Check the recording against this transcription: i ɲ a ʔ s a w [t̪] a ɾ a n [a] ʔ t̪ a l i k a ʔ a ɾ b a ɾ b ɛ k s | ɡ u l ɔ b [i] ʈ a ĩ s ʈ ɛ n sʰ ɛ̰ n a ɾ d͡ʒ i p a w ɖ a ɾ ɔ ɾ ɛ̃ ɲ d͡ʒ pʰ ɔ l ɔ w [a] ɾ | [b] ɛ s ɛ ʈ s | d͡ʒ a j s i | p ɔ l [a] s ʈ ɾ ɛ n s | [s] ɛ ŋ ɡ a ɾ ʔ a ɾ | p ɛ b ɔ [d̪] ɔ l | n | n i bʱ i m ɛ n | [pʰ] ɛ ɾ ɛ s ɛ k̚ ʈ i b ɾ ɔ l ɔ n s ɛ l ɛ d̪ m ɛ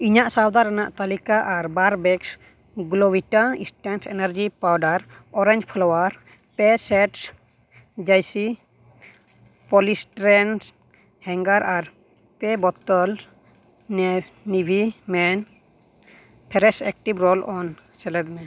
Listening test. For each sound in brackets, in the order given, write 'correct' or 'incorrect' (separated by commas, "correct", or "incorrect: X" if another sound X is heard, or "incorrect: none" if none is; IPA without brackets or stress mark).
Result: incorrect: d̪, correct, correct, correct, incorrect: p, incorrect: i, incorrect: h, incorrect: t̪, correct